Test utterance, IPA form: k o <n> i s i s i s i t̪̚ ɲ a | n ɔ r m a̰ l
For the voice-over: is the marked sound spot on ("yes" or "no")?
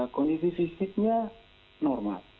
yes